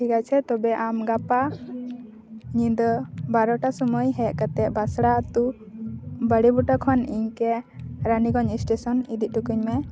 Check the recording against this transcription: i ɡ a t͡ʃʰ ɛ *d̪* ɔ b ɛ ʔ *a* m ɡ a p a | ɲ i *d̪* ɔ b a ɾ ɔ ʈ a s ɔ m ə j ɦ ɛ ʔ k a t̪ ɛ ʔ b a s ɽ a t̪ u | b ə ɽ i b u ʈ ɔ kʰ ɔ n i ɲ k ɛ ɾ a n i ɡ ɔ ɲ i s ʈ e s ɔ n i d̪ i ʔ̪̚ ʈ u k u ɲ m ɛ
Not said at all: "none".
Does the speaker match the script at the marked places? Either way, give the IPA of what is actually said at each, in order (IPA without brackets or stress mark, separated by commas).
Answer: t̪, a, d̪